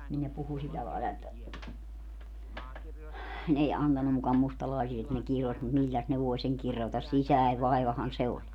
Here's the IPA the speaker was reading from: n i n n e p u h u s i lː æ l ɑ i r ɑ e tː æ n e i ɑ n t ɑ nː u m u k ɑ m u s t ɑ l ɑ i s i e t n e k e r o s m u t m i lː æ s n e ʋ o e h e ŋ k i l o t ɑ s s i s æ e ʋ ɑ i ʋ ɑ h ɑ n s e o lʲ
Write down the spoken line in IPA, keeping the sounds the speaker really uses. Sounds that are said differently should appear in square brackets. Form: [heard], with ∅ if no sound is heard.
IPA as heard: n i n n e p u h u s i lː æ l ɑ i [l] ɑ e tː æ n e i ɑ n t ɑ nː u m u k ɑ m u s t ɑ l ɑ i s i e t n e k [i] r o s m u t m i lː æ s n e ʋ o e [s] e ŋ k i [r] o t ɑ s s i s æ e ʋ ɑ i ʋ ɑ h ɑ n s e o lʲ